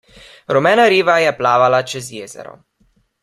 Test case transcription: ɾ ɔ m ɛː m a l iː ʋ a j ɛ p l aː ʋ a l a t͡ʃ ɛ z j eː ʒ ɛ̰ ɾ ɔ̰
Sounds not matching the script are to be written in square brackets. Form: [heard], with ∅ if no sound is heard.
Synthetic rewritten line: ɾ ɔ m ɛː [n] a [ɾ] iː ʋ a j ɛ p l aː ʋ a l a t͡ʃ ɛ z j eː [z] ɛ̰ ɾ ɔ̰

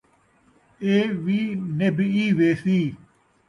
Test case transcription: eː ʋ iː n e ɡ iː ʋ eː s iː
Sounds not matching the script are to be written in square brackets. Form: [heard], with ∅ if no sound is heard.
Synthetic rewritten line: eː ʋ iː n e [b] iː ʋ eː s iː

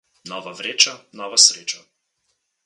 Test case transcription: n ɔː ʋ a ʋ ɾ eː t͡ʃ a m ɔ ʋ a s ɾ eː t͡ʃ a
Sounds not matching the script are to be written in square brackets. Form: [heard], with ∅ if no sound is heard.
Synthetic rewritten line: n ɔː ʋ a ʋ ɾ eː t͡ʃ a [n] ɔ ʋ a s ɾ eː t͡ʃ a

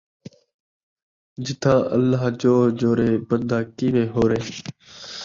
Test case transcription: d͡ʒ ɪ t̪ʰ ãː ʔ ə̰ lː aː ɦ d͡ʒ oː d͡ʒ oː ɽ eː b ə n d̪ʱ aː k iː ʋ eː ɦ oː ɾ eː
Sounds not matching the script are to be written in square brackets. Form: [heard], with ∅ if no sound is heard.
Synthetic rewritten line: d͡ʒ ɪ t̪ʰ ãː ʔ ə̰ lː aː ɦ d͡ʒ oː d͡ʒ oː [ɾ] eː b ə n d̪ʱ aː k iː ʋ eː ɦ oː ɾ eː

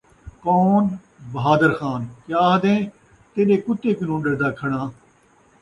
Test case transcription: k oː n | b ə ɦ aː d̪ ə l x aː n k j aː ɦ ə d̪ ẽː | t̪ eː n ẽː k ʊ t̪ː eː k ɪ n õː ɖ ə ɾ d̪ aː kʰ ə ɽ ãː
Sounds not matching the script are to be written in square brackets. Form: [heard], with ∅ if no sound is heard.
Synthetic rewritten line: k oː n | b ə ɦ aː d̪ ə [ɾ] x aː n k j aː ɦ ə d̪ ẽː | t̪ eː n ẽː k ʊ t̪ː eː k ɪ n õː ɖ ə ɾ d̪ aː kʰ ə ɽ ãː

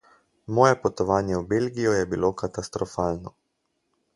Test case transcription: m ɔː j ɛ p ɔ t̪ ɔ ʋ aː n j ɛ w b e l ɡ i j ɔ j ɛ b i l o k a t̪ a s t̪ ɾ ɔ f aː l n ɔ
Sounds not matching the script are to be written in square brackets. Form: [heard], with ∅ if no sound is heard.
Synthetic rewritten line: m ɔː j ɛ p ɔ t̪ ɔ ʋ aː n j ɛ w b e l ɡ i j ɔ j ɛ b i l o k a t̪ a s t̪ ɾ ɔ f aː l n ɔ

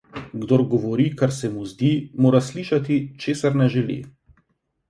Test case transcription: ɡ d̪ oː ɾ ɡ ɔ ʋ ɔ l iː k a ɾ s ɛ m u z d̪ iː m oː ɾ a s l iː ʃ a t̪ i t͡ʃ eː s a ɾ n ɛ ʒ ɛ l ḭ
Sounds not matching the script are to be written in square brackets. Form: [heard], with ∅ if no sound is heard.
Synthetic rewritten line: ɡ d̪ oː ɾ ɡ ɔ ʋ ɔ [ɾ] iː k a ɾ s ɛ m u z d̪ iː m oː ɾ a s l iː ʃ a t̪ i t͡ʃ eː s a ɾ n ɛ ʒ ɛ l ḭ

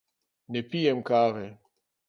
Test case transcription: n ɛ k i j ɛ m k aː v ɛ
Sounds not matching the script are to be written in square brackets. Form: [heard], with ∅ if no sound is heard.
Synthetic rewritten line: n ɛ [p] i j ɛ m k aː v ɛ

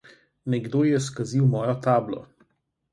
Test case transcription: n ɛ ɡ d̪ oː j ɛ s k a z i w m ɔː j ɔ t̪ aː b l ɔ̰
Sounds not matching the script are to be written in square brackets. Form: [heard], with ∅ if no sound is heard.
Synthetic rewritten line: n ɛ ɡ d̪ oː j ɛ s k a z i w m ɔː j ɔ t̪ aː b l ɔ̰

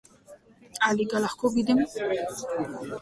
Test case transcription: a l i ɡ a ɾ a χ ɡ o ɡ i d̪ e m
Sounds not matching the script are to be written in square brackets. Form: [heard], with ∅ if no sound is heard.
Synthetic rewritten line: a l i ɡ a [l] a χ [k] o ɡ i d̪ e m

